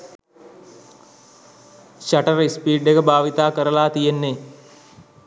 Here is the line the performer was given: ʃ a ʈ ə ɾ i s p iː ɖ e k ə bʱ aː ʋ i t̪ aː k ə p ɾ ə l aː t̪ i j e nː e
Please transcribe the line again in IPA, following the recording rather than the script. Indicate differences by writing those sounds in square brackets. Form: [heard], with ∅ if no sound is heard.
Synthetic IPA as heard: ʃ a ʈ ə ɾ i s p iː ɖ e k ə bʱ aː ʋ i t̪ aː k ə [∅] ɾ ə l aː t̪ i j e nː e